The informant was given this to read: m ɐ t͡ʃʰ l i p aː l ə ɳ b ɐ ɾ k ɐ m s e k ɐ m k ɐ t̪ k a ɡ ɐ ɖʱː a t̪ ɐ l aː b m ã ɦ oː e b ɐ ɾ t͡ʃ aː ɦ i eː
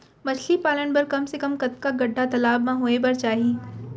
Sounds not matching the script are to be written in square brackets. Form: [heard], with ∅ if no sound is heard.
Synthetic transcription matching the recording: m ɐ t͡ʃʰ l i p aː l ə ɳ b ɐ ɾ k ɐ m s e k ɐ m k ɐ t̪ k a ɡ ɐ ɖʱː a t̪ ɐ l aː b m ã ɦ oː e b ɐ ɾ t͡ʃ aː ɦ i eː